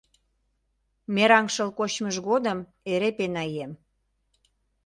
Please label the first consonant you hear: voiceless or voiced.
voiced